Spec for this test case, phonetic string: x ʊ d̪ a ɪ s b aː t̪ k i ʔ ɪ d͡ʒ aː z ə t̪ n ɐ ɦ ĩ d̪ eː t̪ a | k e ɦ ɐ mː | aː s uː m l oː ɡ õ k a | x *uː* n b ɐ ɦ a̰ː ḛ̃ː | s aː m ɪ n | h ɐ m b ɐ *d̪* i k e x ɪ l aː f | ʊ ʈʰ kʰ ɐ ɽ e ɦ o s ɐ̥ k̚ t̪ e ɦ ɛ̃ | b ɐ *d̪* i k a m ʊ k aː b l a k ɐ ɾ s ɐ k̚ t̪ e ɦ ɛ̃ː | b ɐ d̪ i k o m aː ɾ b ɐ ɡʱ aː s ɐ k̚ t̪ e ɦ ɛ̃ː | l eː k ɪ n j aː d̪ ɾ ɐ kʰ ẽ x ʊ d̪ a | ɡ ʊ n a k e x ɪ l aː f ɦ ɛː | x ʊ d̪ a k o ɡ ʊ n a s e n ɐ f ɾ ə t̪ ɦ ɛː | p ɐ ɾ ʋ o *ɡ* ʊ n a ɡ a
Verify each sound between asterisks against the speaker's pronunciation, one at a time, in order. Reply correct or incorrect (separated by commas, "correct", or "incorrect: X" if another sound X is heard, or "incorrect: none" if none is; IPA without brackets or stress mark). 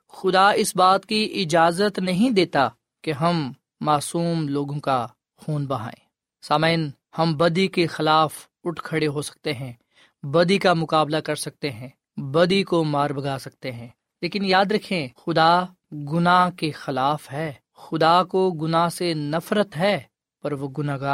correct, correct, correct, correct